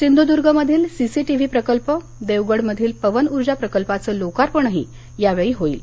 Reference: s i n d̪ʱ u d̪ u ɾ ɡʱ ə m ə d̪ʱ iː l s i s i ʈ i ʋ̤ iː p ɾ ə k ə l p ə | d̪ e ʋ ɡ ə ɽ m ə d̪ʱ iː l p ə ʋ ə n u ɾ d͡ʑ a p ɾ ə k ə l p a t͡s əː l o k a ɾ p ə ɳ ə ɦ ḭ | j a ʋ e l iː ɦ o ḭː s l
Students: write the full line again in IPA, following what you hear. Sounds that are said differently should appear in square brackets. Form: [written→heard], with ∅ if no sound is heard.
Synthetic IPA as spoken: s i n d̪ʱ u d̪ u ɾ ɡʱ ə m ə d̪ʱ iː l s i s i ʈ i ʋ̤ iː p ɾ ə k ə l p ə | d̪ e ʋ ɡ ə ɽ m ə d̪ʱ iː l p ə ʋ ə n u ɾ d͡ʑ a p ɾ ə k ə l p a t͡s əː l o k a ɾ p ə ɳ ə ɦ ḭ | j a ʋ e [l→ɭ] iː ɦ o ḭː [s→∅] l

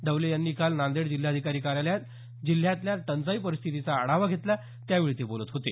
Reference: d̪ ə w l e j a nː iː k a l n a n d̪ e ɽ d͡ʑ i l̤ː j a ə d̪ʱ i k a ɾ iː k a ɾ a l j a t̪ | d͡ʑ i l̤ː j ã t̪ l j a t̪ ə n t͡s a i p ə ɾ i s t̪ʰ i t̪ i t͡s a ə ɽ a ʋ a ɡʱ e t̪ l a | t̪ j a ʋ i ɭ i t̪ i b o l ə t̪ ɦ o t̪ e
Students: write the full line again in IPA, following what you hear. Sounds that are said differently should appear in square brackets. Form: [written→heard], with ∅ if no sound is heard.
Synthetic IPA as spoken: d̪ ə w l e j a nː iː k a l n a n d̪ e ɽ d͡ʑ i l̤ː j a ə d̪ʱ i k a ɾ iː k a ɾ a l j a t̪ | d͡ʑ i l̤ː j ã t̪ l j a t̪ ə n t͡s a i p ə ɾ i s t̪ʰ i t̪ i t͡s a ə ɽ a ʋ a ɡʱ e t̪ l a | t̪ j a ʋ i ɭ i t̪ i b o l ə t̪ ɦ o t̪ e

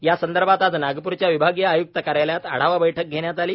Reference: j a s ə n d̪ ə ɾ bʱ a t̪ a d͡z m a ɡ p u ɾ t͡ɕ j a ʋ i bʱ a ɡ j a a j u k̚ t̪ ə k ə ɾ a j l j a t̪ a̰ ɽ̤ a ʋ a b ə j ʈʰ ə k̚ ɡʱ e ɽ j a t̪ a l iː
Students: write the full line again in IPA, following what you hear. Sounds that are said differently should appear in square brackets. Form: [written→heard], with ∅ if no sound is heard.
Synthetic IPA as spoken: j a s ə n d̪ ə ɾ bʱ a t̪ a d͡z [m→n] a ɡ p u ɾ t͡ɕ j a ʋ i bʱ a ɡ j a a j u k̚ t̪ ə k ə ɾ a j l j a t̪ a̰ ɽ̤ a ʋ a b ə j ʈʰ ə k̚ ɡʱ e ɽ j a t̪ a l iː

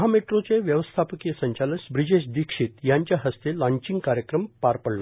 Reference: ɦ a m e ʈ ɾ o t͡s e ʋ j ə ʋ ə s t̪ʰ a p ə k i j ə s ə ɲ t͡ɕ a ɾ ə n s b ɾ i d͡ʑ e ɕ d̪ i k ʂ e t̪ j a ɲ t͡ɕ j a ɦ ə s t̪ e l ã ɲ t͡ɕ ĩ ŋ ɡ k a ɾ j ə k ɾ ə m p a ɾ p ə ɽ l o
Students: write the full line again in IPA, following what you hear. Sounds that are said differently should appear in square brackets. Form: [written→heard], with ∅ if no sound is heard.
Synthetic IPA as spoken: ɦ a m e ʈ ɾ o t͡s e ʋ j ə ʋ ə s t̪ʰ a p ə k i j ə s ə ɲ t͡ɕ a [ɾ→l] ə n s b ɾ i d͡ʑ e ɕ d̪ i k ʂ [e→i] t̪ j a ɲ t͡ɕ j a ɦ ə s t̪ e l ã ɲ t͡ɕ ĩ ŋ ɡ k a ɾ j ə k ɾ ə m p a ɾ p ə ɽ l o

